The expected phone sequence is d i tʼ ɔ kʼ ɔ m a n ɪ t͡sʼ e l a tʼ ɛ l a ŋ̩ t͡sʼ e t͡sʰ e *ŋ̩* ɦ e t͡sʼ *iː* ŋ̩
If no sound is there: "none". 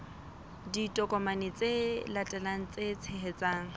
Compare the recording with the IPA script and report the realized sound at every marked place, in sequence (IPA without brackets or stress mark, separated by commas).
none, aː